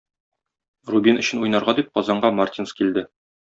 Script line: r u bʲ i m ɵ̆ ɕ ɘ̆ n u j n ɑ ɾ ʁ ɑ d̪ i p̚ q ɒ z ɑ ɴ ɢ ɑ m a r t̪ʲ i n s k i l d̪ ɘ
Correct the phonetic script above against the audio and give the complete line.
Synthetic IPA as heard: r u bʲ i n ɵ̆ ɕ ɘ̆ n u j n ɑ ɾ ʁ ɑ d̪ i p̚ q ɒ z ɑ ɴ ɢ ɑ m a r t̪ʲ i n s k i l d̪ ɘ